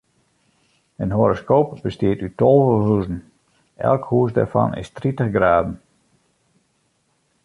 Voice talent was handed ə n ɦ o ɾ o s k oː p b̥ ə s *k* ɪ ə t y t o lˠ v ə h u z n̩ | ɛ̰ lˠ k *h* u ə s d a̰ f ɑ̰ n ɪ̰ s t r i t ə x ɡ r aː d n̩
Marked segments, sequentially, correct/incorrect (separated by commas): incorrect, correct